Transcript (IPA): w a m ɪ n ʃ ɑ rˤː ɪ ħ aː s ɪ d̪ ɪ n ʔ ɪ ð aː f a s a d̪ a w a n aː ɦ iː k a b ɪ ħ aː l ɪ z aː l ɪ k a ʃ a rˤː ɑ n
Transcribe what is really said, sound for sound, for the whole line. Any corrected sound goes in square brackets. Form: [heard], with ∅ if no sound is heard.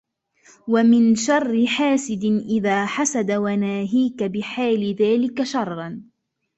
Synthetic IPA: w a m ɪ n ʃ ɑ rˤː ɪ ħ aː s ɪ d̪ ɪ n ʔ ɪ ð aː [ħ] a s a d̪ a w a n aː ɦ iː k a b ɪ ħ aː l ɪ [ð] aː l ɪ k a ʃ [ɑ] rˤː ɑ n